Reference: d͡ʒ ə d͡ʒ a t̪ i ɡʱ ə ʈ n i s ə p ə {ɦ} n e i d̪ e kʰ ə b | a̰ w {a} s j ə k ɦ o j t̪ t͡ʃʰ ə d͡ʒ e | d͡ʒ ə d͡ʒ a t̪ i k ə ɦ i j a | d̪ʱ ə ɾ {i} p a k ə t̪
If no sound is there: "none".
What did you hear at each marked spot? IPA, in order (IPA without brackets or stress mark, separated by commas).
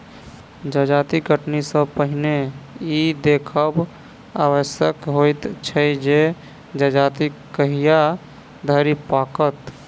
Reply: ɦ, ə, i